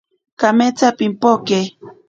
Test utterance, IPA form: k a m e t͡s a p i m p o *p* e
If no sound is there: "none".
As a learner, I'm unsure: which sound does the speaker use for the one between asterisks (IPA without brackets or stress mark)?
k